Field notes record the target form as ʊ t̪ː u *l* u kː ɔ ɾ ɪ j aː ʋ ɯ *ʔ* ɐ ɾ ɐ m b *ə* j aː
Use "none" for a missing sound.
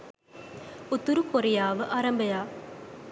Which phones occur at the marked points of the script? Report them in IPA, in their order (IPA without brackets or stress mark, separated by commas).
ɾ, ʔ, ɐ